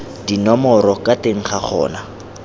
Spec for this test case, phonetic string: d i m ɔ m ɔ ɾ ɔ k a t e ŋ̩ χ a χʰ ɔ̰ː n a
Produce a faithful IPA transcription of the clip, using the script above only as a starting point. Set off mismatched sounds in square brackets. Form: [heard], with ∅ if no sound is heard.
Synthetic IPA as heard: d i [n] ɔ m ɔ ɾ ɔ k a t e ŋ̩ χ a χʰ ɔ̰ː n a